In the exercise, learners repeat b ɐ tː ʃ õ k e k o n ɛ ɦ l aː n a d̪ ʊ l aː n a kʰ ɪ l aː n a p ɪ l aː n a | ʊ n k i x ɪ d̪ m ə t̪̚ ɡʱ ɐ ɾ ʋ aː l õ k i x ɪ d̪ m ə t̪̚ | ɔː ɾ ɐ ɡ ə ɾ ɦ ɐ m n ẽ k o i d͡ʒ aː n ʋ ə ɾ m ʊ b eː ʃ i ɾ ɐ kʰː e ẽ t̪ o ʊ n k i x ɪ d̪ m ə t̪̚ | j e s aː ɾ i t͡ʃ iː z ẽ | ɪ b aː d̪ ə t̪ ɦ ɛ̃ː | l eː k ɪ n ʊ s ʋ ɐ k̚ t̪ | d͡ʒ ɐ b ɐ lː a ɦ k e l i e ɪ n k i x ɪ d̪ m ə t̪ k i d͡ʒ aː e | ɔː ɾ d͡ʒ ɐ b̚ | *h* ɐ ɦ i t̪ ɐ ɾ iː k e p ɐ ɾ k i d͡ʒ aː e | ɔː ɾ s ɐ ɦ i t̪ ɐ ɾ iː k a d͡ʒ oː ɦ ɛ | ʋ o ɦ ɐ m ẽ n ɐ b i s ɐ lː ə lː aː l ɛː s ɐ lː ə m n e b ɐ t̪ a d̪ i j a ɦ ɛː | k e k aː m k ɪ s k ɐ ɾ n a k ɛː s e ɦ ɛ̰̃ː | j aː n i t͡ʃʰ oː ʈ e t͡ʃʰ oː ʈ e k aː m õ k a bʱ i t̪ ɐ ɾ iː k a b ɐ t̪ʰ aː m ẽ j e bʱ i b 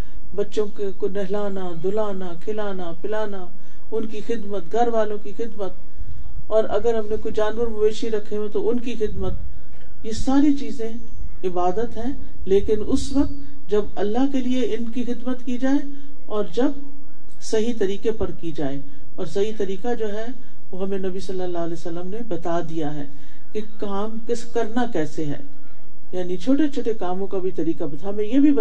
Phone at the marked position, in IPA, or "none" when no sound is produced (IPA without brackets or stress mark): s